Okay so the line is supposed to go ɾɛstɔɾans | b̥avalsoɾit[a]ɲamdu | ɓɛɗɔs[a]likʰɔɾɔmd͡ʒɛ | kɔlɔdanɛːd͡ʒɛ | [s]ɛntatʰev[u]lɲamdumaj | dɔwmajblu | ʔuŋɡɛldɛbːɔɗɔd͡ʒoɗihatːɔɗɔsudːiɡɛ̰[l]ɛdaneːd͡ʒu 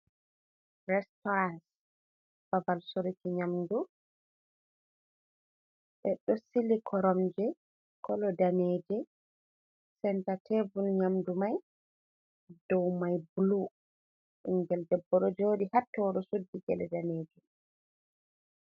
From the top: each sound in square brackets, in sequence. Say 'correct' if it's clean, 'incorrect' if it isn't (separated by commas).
incorrect, incorrect, correct, correct, correct